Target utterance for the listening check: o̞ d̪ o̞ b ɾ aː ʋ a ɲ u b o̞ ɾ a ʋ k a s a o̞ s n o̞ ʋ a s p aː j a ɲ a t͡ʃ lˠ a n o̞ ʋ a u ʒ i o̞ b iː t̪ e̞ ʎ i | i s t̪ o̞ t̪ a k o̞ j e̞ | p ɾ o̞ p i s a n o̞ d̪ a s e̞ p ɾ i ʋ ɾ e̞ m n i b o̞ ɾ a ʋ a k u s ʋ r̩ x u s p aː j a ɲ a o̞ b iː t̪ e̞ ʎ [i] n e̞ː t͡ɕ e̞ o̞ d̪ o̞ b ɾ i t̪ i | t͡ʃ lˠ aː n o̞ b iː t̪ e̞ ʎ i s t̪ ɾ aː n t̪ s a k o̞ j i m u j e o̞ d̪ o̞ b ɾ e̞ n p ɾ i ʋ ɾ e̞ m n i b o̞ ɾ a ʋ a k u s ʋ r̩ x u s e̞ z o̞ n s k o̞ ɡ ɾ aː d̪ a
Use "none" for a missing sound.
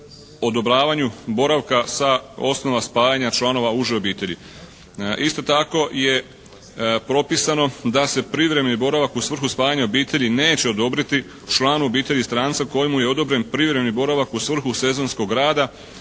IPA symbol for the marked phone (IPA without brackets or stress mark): i